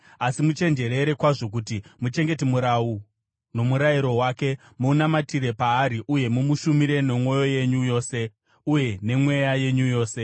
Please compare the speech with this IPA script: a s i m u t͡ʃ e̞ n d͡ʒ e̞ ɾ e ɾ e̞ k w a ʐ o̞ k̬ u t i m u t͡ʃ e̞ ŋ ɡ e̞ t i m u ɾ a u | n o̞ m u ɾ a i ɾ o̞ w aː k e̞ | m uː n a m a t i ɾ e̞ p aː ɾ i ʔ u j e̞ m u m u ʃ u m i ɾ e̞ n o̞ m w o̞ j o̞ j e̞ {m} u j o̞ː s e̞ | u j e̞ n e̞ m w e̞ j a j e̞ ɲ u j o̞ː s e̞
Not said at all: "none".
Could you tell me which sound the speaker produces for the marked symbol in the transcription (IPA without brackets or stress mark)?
ɲ